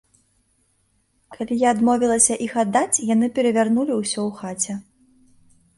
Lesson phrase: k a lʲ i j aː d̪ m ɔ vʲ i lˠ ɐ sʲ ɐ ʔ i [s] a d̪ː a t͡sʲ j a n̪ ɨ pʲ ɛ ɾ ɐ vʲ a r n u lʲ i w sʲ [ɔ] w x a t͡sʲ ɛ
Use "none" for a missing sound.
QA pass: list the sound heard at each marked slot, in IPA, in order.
x, ɔ

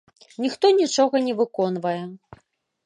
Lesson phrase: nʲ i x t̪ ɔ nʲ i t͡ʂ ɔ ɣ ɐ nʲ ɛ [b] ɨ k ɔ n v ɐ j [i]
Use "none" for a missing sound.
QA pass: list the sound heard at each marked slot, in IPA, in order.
v, ɛ

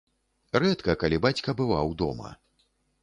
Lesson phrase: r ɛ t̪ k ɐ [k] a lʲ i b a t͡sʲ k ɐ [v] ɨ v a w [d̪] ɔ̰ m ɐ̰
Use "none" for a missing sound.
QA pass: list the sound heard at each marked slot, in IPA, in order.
k, b, d̪

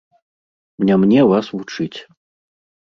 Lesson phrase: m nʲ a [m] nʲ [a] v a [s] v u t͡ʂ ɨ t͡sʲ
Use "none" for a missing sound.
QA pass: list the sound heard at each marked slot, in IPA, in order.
m, ɛ, s

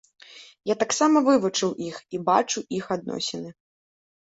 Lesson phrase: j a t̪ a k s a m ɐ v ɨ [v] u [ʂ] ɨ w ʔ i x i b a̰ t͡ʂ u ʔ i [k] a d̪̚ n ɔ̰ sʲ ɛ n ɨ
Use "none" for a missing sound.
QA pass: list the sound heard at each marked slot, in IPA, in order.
v, t͡ʂ, x

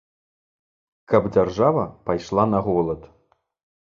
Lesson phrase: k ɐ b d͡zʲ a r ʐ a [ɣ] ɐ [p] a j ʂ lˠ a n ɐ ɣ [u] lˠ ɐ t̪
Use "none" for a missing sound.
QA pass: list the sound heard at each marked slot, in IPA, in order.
v, p, ɔ

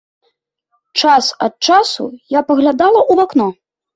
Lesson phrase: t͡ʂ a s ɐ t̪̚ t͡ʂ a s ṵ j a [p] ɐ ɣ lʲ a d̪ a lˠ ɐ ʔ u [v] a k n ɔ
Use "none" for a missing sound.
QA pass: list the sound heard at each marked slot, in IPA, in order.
p, v

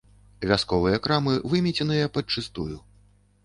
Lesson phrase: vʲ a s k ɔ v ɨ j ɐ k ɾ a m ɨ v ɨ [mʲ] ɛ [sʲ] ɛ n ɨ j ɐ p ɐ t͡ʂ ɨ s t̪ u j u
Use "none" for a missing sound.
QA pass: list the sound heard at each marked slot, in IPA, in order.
mʲ, t͡sʲ

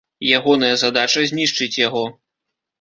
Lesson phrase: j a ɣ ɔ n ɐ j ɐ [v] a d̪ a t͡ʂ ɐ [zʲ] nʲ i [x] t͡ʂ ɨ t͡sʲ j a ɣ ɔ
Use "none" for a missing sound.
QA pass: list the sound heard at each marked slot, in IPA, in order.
z, zʲ, ʂ

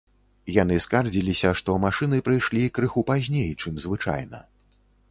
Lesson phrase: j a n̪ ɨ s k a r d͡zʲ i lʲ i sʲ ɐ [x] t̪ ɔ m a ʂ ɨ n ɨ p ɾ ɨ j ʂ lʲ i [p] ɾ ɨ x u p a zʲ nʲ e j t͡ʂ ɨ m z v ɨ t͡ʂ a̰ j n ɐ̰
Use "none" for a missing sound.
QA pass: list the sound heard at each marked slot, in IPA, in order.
ʂ, k

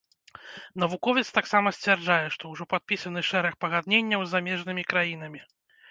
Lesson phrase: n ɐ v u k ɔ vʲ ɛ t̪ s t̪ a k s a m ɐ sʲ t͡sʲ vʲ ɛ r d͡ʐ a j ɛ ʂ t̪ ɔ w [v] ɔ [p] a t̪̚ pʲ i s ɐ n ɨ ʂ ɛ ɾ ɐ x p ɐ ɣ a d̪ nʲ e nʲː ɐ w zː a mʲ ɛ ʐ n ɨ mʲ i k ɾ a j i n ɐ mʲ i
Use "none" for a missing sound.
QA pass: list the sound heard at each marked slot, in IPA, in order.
ʐ, p

